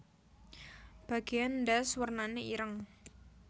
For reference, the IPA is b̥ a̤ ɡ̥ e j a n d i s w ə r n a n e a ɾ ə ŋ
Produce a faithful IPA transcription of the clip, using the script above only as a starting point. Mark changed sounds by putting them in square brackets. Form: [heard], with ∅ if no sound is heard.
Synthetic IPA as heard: b̥ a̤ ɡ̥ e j a n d [a] s w ə r n a n e [i] ɾ ə ŋ